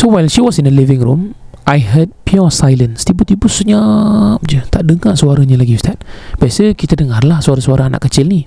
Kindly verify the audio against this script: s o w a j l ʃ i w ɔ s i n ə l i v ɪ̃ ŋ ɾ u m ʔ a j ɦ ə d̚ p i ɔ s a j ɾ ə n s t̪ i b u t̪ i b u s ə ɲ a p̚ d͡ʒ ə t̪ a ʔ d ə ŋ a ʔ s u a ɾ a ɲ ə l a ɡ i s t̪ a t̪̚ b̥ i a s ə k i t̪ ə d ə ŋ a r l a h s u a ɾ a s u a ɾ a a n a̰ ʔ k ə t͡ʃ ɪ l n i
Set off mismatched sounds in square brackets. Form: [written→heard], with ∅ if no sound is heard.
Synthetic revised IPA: s o w a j l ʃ i w ɔ s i n ə l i v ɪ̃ ŋ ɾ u m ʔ a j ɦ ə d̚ p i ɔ s a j [ɾ→l] ə n s t̪ i b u t̪ i b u s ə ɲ a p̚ d͡ʒ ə t̪ a ʔ d ə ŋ a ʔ s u a ɾ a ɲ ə l a ɡ i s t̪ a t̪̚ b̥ i a s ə k i t̪ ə d ə ŋ a r l a h s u a ɾ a s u a ɾ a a n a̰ ʔ k ə t͡ʃ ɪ l n i